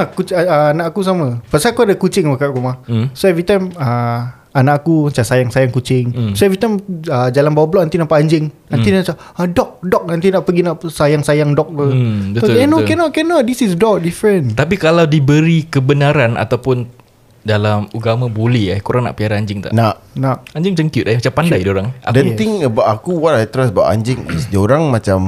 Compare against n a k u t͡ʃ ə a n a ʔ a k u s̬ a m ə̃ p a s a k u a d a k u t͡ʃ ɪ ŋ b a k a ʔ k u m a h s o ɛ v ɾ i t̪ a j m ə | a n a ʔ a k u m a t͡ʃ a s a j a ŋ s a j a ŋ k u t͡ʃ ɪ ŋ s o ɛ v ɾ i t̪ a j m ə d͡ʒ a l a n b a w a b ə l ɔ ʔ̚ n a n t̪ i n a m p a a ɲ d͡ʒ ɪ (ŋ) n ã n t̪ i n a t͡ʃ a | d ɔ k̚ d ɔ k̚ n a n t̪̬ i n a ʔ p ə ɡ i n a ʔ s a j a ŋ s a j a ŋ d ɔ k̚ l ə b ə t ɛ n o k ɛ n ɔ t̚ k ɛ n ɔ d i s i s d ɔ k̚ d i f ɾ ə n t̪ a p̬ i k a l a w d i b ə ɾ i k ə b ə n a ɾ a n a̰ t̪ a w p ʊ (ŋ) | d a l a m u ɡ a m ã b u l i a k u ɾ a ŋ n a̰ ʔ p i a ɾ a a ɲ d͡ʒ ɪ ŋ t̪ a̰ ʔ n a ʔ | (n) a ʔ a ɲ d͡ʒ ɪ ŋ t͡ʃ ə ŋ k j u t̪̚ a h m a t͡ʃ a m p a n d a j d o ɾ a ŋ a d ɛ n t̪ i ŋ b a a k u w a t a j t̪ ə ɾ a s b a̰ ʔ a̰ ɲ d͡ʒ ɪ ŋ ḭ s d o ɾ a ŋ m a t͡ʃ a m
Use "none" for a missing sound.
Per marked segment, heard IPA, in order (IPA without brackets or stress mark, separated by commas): ŋ, n, n